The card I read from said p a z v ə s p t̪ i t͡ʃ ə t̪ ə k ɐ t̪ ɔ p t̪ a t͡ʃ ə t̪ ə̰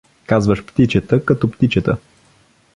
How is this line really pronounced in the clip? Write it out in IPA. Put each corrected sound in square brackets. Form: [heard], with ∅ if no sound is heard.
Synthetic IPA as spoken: [k] a z v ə [ʃ] p t̪ i t͡ʃ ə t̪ ə k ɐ t̪ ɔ p t̪ [i] t͡ʃ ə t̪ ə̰